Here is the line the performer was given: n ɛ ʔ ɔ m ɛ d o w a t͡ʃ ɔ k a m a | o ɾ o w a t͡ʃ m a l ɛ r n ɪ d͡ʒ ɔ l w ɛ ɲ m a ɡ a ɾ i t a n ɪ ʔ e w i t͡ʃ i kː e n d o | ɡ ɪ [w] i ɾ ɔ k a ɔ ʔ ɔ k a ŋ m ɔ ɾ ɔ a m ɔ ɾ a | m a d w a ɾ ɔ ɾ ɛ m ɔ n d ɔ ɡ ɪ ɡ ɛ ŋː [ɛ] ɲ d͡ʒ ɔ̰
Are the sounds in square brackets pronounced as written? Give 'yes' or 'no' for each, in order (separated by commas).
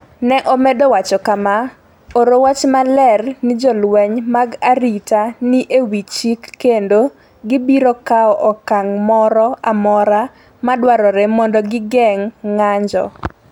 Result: no, no